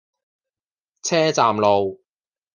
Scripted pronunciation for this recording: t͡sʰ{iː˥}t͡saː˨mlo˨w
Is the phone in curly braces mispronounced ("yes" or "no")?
yes